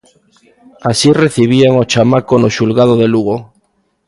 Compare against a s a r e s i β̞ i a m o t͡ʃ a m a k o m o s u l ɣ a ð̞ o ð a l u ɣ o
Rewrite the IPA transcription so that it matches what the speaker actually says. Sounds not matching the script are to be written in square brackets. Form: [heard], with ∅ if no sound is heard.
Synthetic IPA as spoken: a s [i] r e [θ] i β̞ i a [ŋ] o t͡ʃ a m a k o [n] o [ʃ] u l ɣ a ð̞ o ð [e] l u ɣ o